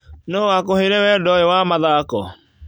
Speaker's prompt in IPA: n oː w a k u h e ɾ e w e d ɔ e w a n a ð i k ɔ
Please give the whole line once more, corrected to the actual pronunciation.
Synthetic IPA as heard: n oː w a k o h e ɾ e w ɛ d ɔ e w a m a ð a k ɔ